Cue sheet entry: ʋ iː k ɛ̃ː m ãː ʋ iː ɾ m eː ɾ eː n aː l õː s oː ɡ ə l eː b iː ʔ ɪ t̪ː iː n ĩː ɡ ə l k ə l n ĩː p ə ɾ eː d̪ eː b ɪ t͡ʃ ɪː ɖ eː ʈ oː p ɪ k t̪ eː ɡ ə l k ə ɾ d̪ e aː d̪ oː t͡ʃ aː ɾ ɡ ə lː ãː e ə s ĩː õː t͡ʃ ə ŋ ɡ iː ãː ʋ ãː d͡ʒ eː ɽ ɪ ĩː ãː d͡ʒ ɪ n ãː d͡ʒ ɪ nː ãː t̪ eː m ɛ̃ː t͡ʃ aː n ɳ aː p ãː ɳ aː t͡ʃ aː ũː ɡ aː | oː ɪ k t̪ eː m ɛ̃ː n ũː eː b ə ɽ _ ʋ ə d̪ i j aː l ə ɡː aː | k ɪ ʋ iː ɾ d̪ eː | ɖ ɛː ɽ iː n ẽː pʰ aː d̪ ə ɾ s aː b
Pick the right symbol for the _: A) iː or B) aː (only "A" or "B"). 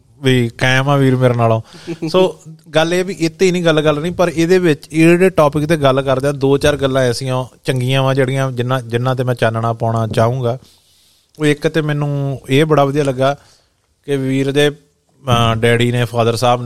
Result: B